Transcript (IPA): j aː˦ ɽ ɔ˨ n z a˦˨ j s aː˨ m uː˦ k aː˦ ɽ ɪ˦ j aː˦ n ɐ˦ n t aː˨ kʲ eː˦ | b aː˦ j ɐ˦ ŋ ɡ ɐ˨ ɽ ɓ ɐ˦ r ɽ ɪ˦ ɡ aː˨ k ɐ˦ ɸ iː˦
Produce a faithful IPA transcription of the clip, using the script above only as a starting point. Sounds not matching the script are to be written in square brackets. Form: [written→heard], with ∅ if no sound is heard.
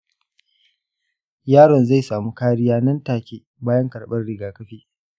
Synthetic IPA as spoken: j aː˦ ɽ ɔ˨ n z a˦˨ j s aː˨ m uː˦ k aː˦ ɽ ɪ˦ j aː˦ n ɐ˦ n t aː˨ kʲ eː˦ | b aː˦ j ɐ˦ ŋ [ɡ→k] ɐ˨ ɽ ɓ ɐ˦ r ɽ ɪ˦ ɡ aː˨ k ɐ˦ ɸ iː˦